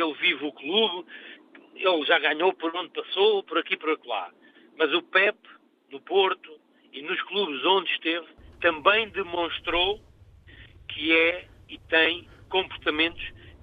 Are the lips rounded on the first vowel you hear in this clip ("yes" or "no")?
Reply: no